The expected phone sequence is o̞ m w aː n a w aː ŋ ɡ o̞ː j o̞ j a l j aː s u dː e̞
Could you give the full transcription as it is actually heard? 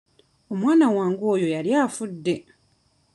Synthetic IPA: o̞ m w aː n a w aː ŋ ɡ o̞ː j o̞ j a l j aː f u dː e̞